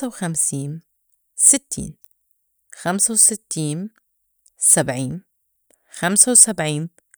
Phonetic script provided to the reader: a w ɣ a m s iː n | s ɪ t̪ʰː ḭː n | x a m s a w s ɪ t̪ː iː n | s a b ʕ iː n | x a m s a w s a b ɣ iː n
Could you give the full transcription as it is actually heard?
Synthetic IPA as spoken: a w x a m s iː n | s ɪ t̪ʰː ḭː n | x a m s a w s ɪ t̪ː iː n | s a b ʕ iː n | x a m s a w s a b ʕ iː n

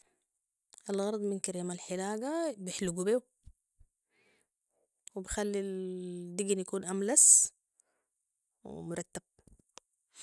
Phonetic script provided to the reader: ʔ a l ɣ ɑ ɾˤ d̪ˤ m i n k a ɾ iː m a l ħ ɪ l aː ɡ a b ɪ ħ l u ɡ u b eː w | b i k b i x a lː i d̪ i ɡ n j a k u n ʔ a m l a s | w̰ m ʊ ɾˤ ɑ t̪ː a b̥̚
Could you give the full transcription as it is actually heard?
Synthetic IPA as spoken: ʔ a l ɣ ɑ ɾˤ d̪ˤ m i n k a ɾ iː m a l ħ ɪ l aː ɡ a b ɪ ħ l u ɡ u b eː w | w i b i x a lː i d̪ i ɡ n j a k uː n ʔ a m l a s | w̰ m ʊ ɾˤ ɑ t̪ː a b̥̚

